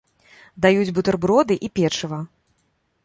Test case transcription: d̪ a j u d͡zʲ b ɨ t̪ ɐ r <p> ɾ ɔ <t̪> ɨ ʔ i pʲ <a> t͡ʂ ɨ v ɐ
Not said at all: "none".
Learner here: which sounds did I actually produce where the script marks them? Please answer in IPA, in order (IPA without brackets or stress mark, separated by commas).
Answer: b, d̪, ɛ